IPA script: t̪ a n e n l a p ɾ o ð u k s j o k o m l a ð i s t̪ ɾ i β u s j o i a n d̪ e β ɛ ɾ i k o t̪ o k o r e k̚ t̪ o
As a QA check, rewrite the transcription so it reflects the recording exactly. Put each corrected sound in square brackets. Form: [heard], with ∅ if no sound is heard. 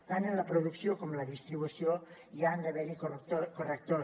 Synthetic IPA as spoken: t̪ a n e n l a p ɾ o ð u k s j o k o m l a ð i s t̪ ɾ i β u s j o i a n d̪ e β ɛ ɾ i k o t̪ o k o r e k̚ t̪ o